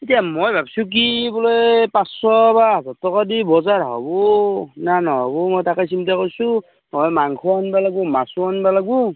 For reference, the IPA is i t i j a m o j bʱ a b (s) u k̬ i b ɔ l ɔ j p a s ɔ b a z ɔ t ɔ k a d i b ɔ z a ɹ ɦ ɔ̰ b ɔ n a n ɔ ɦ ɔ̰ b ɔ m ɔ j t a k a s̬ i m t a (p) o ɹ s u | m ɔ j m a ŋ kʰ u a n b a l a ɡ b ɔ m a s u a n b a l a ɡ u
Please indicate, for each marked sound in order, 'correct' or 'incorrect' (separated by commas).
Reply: correct, incorrect